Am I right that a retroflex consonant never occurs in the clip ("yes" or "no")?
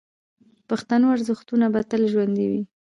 yes